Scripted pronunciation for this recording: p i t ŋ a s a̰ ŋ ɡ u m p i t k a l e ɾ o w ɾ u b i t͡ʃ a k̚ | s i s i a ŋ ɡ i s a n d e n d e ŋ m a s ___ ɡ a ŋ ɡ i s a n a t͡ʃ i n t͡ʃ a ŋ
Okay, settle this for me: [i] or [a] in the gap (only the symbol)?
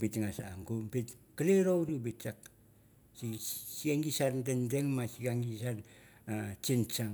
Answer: i